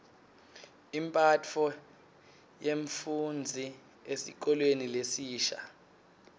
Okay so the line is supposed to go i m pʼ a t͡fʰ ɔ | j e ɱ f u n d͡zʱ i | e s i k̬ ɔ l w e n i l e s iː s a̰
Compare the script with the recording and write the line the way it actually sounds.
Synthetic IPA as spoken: i m pʼ a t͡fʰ ɔ | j e ɱ f u n d͡zʱ i | e s i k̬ ɔ l w e n i l e s iː ʃ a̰